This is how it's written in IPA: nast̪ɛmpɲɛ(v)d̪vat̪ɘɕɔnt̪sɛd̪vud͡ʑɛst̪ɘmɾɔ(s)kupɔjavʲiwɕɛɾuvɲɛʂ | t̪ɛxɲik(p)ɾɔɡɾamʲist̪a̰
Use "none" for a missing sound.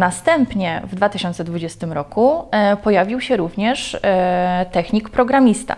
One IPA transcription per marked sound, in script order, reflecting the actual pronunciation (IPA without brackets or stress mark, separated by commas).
v, none, p